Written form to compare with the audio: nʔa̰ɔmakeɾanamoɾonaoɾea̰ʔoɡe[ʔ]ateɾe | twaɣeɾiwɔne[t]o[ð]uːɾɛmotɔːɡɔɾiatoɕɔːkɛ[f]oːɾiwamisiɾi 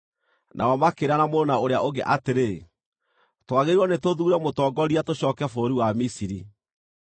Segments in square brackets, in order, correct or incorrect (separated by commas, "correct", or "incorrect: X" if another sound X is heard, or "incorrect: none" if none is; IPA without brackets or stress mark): correct, correct, correct, correct